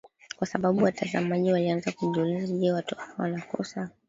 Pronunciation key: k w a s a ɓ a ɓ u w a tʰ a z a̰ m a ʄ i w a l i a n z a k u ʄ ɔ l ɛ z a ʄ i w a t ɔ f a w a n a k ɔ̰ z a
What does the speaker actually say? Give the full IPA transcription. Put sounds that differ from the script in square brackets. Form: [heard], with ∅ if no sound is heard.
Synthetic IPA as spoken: k w a s a ɓ a ɓ u w a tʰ a z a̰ m a ʄ i w a l i a n z a k u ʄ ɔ l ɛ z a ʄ [ɛ] w a t ɔ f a w a n a k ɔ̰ [s] a